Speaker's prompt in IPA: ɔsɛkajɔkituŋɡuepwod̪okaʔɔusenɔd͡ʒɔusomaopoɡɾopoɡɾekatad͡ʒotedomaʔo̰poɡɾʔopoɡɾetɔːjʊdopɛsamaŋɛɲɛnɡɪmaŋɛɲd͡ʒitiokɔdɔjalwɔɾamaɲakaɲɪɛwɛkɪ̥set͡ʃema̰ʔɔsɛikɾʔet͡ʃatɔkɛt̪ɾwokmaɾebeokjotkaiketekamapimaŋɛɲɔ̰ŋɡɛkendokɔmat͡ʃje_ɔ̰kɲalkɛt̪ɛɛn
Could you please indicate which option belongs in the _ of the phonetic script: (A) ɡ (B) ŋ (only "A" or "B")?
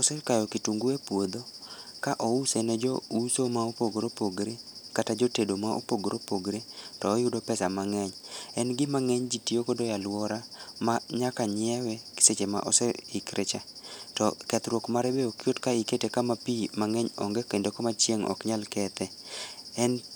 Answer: B